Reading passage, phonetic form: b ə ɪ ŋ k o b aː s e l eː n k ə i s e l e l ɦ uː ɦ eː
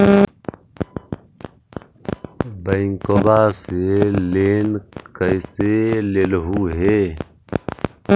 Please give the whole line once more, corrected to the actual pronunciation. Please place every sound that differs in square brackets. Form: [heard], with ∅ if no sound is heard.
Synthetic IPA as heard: b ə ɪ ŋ k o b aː s e l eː n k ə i s e l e l ɦ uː ɦ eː